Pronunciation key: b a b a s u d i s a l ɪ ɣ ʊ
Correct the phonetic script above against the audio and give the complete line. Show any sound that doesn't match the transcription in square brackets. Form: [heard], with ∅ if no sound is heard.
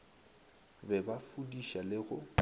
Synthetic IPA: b [ɛ] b a [f] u d i [ʃ] a l ɪ ɣ ʊ